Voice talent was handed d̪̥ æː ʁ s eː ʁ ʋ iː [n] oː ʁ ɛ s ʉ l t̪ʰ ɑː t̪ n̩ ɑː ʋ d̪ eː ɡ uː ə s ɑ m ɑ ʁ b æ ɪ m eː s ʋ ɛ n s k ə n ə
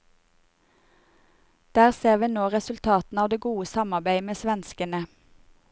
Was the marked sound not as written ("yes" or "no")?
no